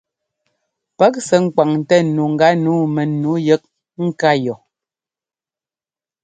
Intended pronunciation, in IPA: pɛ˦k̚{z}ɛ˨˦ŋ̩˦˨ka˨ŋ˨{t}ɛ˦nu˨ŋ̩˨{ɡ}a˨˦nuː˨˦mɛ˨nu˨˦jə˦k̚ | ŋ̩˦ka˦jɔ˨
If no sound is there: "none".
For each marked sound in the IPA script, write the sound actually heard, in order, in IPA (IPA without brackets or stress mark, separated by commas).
s, t, ɡ